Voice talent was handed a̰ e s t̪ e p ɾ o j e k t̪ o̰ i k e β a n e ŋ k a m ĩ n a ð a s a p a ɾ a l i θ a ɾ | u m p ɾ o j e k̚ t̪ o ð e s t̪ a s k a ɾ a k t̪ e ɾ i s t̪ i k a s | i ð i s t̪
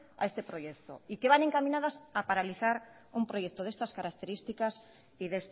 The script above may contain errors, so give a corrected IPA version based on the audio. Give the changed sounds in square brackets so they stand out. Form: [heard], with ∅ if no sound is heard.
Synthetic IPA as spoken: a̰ e s t̪ e p ɾ o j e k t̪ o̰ i k e β a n e ŋ k a m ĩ n a ð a s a p a ɾ a l i θ a ɾ | u m p ɾ o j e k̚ t̪ o ð e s t̪ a s k a ɾ a k t̪ e ɾ i s t̪ i k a s | i ð [e] s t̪